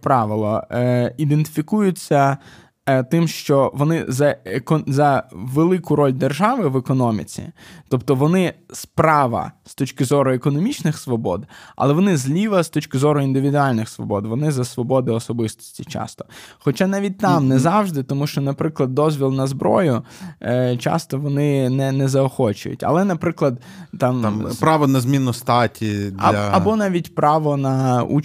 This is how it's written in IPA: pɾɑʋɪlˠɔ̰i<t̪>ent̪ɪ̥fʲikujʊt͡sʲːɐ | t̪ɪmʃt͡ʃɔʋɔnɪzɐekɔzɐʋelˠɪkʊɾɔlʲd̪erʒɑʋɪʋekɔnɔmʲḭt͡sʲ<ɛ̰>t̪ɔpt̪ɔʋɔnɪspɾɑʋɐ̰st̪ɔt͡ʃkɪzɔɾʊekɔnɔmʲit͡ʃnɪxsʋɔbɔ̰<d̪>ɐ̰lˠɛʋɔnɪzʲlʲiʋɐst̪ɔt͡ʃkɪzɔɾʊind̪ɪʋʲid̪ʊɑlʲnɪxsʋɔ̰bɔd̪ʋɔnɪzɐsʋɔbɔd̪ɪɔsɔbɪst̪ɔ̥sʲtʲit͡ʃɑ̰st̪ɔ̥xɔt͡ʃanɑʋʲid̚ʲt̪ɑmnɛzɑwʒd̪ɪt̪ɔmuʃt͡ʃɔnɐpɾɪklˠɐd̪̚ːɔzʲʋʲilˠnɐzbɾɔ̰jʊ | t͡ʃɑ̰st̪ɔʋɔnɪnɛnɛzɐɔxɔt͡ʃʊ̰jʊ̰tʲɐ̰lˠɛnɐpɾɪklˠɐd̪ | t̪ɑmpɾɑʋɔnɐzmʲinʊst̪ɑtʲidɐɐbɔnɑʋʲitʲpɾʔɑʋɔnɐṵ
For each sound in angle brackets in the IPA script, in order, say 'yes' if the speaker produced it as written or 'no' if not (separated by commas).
no, no, yes